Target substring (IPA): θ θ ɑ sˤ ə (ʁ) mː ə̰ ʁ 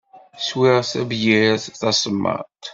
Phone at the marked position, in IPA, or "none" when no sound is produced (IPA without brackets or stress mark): none